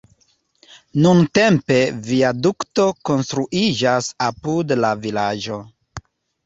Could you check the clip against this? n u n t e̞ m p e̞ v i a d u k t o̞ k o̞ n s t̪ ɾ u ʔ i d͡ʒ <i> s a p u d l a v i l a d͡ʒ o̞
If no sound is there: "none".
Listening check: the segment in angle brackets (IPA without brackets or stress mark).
a